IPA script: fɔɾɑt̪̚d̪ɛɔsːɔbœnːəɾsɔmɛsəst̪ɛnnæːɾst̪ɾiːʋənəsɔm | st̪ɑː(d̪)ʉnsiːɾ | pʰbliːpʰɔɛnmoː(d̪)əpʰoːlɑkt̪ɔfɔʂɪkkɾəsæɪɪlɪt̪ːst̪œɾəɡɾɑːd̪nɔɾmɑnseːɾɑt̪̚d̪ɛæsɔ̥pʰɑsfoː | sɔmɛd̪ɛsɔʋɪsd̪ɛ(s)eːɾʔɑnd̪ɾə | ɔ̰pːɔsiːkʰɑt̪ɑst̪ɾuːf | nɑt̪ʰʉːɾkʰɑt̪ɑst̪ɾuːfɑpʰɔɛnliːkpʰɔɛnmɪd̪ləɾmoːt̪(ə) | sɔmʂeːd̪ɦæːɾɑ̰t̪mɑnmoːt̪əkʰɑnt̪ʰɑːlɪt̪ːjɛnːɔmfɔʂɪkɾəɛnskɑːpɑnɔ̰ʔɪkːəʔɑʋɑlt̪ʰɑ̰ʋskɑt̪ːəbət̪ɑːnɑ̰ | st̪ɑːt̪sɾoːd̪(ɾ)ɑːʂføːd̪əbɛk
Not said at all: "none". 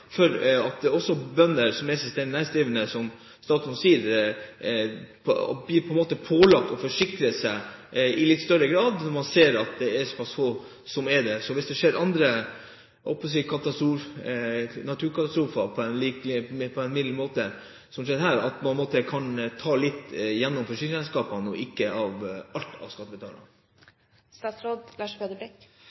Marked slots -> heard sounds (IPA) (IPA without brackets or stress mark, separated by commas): t̪, t̪, ʂ, ə, l